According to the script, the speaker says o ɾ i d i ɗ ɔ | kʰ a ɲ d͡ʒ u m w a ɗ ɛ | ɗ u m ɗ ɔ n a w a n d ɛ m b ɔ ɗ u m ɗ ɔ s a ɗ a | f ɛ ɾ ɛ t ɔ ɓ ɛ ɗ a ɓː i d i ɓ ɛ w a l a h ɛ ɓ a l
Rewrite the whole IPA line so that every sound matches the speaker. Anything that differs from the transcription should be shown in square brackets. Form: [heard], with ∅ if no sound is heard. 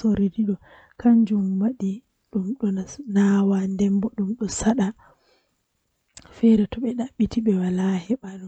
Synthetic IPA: o ɾ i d i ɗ ɔ | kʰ a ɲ d͡ʒ u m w a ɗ [i] | ɗ u m ɗ ɔ n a w a n d ɛ m b ɔ ɗ u m ɗ ɔ s a ɗ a | f ɛ ɾ ɛ t ɔ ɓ ɛ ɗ a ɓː i [t] i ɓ ɛ w a l a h ɛ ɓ a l